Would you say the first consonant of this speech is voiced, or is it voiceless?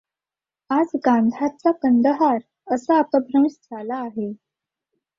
voiced